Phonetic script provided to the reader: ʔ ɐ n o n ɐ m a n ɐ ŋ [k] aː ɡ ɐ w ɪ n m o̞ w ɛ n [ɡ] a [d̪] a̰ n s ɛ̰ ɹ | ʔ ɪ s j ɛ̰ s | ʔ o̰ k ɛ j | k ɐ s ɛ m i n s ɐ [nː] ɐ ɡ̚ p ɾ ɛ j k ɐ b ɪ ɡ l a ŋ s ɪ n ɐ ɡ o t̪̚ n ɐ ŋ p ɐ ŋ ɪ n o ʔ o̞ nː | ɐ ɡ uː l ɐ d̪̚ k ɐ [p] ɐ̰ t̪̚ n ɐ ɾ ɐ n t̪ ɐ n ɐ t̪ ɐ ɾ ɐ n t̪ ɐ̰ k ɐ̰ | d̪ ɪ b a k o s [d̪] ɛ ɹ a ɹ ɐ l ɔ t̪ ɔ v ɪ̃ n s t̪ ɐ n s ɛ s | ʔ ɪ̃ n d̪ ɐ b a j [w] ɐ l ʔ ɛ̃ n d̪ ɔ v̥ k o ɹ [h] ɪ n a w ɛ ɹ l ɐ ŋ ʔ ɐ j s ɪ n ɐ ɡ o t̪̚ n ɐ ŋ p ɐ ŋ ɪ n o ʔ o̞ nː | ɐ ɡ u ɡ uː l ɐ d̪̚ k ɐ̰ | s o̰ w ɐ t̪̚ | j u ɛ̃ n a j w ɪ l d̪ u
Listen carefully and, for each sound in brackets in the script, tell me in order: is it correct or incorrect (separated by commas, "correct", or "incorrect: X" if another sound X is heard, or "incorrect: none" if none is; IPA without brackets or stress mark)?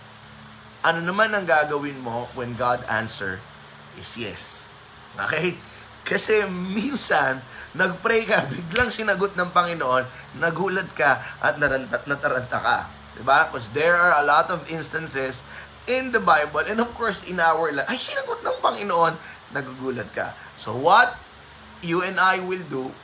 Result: incorrect: ɡ, correct, correct, correct, incorrect: ʔ, correct, incorrect: b, incorrect: s